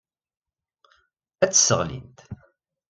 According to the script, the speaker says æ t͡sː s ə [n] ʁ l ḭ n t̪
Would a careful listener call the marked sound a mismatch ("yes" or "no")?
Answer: yes